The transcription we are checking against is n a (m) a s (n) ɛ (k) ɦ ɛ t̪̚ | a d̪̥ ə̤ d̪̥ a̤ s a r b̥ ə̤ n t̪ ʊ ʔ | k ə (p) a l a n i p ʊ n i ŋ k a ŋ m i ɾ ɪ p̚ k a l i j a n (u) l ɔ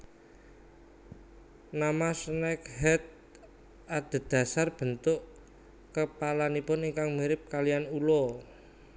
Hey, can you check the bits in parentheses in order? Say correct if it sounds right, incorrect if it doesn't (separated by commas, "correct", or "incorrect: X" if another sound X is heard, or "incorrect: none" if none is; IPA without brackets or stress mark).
correct, correct, correct, correct, correct